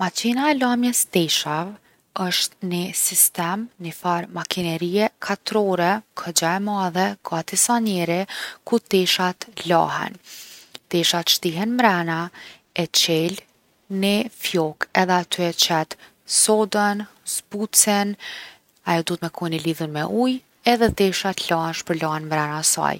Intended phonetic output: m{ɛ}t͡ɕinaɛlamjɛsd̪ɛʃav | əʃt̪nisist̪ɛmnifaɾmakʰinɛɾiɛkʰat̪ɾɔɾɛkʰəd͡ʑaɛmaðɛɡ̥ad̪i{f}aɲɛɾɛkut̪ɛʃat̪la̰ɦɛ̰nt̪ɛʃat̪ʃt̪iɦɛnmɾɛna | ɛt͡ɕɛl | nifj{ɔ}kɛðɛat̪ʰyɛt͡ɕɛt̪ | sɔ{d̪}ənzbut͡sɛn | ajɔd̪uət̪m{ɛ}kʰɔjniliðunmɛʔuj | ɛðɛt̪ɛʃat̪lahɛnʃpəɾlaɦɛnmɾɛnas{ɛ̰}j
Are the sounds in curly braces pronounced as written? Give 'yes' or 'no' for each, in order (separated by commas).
no, no, yes, yes, yes, no